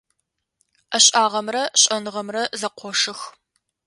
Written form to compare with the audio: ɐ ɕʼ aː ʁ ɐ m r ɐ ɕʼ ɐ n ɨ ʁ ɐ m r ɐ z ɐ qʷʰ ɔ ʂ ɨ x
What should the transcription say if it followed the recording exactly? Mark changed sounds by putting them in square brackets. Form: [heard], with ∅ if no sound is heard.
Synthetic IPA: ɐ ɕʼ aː ʁ ɐ m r ɐ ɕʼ ɐ n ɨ ʁ ɐ m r ɐ z ɐ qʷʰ ɔ ʂ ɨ x